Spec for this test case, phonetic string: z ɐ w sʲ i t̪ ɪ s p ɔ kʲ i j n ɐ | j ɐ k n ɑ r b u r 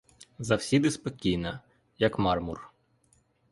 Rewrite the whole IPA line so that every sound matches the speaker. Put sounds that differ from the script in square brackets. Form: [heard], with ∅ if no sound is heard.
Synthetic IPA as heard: z ɐ w sʲ i [d̪] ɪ s p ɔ kʲ i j n ɐ | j ɐ k [m] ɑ r [m] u r

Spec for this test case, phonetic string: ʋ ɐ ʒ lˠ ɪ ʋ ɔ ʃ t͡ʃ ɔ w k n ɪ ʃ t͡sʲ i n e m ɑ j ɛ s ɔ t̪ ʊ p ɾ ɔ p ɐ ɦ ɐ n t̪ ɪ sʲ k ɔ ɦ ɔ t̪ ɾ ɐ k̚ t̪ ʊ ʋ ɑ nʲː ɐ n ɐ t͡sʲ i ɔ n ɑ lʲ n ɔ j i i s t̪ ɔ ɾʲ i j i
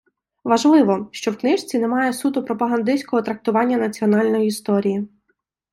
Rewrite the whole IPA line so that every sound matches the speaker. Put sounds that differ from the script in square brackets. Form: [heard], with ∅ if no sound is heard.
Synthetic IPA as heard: ʋ ɐ ʒ lˠ ɪ ʋ ɔ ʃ t͡ʃ ɔ w k n ɪ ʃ t͡sʲ i n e m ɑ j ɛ s [u] t̪ ʊ p ɾ ɔ p ɐ ɦ ɐ n [d̪] ɪ sʲ k ɔ ɦ ɔ t̪ ɾ ɐ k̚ t̪ ʊ ʋ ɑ nʲː ɐ n ɐ t͡sʲ i ɔ n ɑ lʲ n ɔ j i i s t̪ ɔ ɾʲ i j i

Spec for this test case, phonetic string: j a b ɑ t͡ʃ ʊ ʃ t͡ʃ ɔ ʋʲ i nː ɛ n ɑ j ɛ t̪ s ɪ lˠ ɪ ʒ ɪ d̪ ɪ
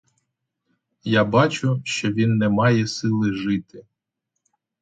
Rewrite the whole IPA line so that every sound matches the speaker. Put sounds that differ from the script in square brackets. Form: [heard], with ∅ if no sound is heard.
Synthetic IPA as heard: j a b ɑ t͡ʃ ʊ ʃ t͡ʃ ɔ ʋʲ i nː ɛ [m] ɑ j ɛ [∅] s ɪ lˠ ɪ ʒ ɪ [t̪] ɪ

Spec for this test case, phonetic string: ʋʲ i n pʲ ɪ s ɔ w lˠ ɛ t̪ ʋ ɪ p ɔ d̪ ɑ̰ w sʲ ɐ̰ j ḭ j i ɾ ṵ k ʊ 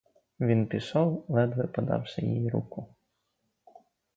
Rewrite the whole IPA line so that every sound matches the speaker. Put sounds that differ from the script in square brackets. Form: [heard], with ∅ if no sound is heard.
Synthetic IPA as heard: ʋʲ i n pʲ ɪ s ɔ w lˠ ɛ [d̪] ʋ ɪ p ɔ d̪ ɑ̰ w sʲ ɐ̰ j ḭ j i ɾ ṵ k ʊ

